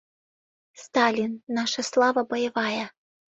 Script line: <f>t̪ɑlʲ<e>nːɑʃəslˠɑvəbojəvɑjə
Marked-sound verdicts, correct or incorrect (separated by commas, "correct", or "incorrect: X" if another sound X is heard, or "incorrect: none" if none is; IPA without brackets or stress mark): incorrect: s, incorrect: i